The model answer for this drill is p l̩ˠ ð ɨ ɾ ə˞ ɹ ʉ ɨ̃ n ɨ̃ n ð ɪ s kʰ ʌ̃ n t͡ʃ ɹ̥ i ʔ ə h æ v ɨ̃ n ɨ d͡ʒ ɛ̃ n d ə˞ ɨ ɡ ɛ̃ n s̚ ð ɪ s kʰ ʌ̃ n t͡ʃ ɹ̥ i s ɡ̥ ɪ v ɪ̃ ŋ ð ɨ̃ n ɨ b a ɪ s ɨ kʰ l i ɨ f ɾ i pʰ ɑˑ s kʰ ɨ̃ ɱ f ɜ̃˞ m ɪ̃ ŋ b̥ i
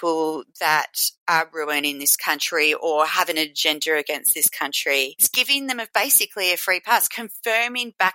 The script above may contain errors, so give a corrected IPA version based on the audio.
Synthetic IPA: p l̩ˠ ð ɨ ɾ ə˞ ɹ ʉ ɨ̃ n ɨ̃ n ð ɪ s kʰ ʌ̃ n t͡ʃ ɹ̥ i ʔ ə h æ v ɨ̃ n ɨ d͡ʒ ɛ̃ n d ə˞ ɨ ɡ ɛ̃ n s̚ ð ɪ s kʰ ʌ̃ n t͡ʃ ɹ̥ i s ɡ̥ ɪ v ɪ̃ ŋ ð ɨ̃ m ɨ b e ɪ s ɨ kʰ l i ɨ f ɹ i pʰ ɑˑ s kʰ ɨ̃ ɱ f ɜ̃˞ m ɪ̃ ŋ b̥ æ